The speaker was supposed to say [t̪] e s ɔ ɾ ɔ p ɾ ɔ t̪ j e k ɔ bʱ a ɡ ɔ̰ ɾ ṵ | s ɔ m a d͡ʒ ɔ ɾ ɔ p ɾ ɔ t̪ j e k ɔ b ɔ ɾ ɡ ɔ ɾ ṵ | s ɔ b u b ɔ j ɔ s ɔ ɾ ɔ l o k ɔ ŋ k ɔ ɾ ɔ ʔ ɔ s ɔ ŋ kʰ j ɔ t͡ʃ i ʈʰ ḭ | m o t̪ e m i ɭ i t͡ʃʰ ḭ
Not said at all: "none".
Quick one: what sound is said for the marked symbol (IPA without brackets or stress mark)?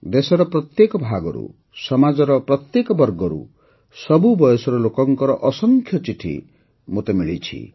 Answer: d̪